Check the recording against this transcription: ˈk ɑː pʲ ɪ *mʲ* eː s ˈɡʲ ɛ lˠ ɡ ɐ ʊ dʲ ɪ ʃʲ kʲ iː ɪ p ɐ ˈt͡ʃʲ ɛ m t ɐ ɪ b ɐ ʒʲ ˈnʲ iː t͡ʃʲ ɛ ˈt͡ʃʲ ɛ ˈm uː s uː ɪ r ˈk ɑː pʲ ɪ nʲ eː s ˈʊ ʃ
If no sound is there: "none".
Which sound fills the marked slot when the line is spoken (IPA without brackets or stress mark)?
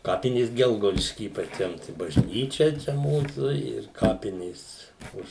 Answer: nʲ